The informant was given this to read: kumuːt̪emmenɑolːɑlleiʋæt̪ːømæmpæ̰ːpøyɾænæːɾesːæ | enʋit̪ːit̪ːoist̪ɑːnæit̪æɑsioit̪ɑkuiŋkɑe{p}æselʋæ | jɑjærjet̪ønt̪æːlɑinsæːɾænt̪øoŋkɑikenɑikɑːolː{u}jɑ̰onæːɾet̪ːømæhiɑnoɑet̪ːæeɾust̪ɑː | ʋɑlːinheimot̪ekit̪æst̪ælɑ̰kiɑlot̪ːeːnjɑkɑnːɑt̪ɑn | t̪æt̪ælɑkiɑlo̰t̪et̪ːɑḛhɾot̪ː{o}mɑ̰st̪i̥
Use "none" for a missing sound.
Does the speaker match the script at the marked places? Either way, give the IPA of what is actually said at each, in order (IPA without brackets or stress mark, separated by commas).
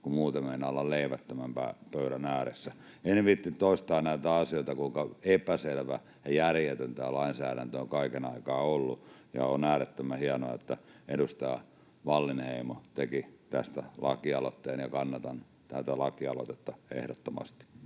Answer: p, u, o